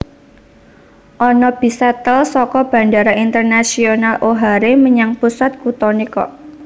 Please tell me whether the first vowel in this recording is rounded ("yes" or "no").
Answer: yes